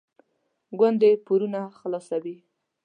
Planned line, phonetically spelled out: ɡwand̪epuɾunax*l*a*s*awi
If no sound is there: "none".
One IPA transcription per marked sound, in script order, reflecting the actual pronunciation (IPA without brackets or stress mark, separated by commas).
l, s